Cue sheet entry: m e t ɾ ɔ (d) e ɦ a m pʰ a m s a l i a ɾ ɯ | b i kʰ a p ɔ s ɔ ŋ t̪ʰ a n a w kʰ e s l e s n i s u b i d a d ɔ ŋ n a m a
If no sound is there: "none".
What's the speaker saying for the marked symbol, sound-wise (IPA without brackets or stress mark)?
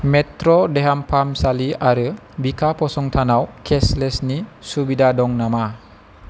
d